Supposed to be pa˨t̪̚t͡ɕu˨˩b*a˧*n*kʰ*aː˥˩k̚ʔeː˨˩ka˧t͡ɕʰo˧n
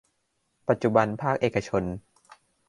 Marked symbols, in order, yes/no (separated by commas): yes, no